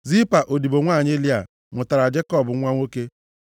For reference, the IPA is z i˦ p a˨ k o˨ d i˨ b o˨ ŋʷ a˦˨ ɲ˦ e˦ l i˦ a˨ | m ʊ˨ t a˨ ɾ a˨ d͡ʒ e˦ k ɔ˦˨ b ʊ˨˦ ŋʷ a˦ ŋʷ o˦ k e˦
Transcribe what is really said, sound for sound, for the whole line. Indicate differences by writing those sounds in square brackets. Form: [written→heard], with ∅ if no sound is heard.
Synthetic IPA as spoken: z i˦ p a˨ [k→ʔ] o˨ d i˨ b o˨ ŋʷ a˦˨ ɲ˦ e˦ l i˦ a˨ | m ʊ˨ t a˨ ɾ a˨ d͡ʒ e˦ k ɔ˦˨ b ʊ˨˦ ŋʷ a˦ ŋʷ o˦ k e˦